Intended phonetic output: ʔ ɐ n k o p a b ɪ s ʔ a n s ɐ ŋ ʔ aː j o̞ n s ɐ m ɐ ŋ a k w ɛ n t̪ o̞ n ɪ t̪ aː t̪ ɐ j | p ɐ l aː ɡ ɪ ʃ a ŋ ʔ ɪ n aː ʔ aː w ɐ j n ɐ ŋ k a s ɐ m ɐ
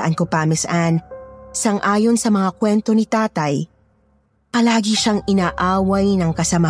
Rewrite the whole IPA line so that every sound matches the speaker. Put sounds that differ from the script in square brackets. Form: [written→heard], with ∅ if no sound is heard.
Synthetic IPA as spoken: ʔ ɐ n k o p a [b→m] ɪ s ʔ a n s ɐ ŋ ʔ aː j o̞ n s ɐ m ɐ ŋ a k w ɛ n t̪ o̞ n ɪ t̪ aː t̪ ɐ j | p ɐ l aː ɡ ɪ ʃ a ŋ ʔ ɪ n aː ʔ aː w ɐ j n ɐ ŋ k [a→ɐ] s ɐ m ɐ